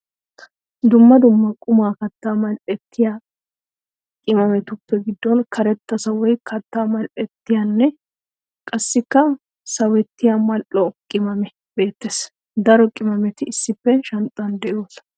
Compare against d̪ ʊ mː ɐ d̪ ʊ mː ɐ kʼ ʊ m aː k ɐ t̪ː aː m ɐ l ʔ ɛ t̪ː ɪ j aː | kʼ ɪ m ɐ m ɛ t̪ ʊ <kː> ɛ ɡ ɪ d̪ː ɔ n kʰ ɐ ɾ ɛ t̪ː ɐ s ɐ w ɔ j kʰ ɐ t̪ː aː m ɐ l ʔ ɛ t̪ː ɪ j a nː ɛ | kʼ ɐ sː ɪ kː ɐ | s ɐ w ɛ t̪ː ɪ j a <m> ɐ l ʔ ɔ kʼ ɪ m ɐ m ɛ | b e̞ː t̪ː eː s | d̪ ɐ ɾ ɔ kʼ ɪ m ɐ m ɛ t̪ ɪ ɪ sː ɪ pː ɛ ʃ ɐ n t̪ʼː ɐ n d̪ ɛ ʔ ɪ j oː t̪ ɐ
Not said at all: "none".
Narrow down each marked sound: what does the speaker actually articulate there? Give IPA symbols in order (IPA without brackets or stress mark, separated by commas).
pː, m